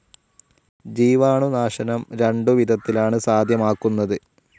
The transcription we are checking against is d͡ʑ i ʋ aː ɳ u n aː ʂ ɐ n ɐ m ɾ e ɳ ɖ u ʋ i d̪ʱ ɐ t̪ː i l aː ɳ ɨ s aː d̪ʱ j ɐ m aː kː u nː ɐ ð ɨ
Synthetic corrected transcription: d͡ʑ iː ʋ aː ɳ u n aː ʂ ɐ n ɐ m ɾ e ɳ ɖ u ʋ i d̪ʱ ɐ t̪ː i l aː ɳ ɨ s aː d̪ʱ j ɐ m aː kː u nː ɐ ð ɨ